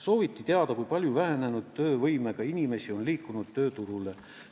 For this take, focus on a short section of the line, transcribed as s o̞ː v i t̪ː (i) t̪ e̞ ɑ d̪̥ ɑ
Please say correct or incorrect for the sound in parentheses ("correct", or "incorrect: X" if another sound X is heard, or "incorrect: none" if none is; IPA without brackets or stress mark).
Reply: correct